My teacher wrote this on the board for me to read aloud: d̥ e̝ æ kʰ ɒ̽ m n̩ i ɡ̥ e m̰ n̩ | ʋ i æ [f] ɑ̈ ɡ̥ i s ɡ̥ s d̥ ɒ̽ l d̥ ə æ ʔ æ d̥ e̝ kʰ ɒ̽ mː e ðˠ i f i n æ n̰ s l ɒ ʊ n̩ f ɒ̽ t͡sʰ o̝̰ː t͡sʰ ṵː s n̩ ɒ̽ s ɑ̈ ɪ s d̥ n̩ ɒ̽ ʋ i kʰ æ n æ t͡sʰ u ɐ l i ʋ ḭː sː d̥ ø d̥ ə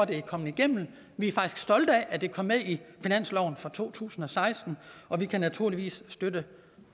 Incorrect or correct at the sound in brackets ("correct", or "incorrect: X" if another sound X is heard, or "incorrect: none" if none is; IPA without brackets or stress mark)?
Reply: correct